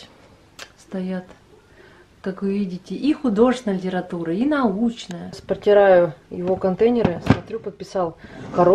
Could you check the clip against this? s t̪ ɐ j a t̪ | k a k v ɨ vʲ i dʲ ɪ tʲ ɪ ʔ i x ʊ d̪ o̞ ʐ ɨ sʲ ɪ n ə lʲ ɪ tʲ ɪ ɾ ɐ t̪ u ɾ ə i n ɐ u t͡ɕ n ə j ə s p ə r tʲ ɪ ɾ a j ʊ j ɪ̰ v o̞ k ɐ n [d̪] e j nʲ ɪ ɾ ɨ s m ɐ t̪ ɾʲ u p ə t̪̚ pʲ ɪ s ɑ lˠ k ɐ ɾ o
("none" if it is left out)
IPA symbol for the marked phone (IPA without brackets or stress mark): t̪